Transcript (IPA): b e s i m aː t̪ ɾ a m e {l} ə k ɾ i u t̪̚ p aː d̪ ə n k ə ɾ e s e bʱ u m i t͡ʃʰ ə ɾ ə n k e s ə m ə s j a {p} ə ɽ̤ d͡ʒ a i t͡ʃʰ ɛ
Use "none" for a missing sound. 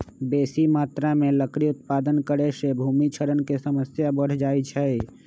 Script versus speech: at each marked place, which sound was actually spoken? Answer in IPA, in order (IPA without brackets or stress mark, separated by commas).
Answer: l, b